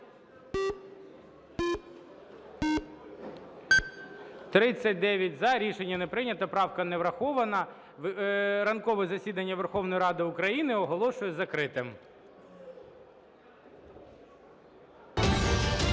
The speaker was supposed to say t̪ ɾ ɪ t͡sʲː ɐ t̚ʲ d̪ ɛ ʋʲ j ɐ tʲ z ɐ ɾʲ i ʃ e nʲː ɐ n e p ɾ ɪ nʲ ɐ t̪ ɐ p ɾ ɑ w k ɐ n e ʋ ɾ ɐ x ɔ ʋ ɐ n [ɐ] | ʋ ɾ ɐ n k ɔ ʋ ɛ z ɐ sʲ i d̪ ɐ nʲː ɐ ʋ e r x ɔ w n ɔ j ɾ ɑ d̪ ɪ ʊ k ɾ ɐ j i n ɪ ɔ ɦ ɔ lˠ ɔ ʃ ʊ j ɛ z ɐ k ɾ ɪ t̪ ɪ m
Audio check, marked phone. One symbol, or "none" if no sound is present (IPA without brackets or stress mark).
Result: ɐ